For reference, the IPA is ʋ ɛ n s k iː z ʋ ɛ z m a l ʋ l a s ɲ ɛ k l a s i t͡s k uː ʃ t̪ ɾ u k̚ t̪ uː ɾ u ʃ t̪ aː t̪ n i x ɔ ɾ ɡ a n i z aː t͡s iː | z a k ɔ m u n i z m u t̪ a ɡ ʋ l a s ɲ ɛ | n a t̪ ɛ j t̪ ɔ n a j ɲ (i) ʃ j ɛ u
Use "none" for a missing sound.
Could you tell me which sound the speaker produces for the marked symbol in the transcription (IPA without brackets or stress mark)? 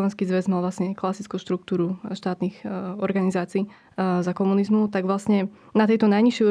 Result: i